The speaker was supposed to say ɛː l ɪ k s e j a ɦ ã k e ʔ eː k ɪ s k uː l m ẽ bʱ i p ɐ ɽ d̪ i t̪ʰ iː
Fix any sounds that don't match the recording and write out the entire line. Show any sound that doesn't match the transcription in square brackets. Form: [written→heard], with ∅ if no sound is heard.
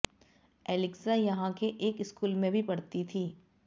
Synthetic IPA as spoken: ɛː l ɪ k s [e→a] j [a→ɐ] ɦ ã k e ʔ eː k ɪ s k uː l m ẽ bʱ i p ɐ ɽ [d̪→t̪] i t̪ʰ iː

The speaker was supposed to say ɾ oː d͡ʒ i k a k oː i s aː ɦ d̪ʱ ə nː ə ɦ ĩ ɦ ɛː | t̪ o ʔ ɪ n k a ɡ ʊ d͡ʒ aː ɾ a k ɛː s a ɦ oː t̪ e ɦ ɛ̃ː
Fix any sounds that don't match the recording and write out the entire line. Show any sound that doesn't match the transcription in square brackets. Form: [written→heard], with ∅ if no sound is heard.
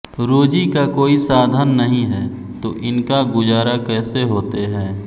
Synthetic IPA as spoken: ɾ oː d͡ʒ i k a k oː i s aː [ɦ→∅] d̪ʱ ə nː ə ɦ ĩ ɦ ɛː | t̪ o ʔ ɪ n k a ɡ ʊ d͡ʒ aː ɾ a k ɛː s [a→e] ɦ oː t̪ e ɦ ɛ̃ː

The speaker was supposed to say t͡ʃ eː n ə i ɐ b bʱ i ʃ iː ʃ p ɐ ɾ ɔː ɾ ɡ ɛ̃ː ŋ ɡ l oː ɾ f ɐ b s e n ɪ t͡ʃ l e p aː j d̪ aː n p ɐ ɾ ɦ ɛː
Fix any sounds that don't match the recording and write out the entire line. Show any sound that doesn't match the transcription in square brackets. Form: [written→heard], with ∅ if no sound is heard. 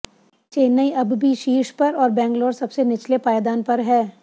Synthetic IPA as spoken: t͡ʃ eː n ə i ɐ b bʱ i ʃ iː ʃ p ɐ ɾ ɔː ɾ [ɡ→b] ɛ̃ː ŋ ɡ l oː ɾ [f→s] ɐ b s e n ɪ t͡ʃ l e p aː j d̪ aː n p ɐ ɾ ɦ ɛː

